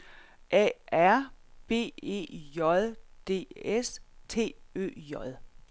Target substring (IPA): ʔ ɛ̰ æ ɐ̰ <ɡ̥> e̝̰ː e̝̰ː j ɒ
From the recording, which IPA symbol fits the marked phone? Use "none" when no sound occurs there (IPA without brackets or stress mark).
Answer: b̥